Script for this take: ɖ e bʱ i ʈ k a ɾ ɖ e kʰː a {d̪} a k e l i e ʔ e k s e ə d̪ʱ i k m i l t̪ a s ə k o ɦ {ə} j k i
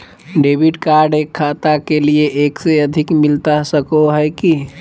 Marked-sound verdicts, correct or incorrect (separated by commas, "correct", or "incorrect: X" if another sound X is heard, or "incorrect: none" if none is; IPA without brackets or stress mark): incorrect: t̪, correct